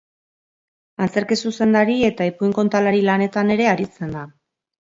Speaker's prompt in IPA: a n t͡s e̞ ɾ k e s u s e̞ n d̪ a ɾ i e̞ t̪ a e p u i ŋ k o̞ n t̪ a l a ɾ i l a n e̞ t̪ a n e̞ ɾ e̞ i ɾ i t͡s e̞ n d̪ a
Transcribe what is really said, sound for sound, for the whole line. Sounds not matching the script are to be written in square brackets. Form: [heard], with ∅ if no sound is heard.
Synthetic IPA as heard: a n t͡s e̞ ɾ k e s u s e̞ n d̪ a ɾ i e̞ t̪ a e p u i ŋ k o̞ n t̪ a l a ɾ i l a n e̞ t̪ a n e̞ ɾ e̞ [a] ɾ i t͡s e̞ n d̪ a